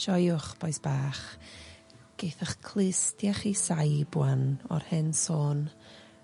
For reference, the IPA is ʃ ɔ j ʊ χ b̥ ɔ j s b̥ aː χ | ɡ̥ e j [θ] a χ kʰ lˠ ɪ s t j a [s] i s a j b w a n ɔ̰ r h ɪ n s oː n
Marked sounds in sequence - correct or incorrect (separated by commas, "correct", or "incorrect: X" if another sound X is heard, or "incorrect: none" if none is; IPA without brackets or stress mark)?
correct, incorrect: χ